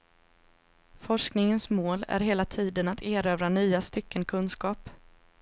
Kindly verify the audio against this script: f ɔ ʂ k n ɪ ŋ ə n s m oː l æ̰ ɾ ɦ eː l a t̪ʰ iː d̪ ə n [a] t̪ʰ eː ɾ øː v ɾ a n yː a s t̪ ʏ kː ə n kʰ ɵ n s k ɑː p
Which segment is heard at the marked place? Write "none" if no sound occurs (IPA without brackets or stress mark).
a